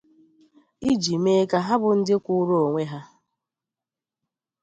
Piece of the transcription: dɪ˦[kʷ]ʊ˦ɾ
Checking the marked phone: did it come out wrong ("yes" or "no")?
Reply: no